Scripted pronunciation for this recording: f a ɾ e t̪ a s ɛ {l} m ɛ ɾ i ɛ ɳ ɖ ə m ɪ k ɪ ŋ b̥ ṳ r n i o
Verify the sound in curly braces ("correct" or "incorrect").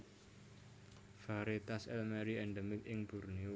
correct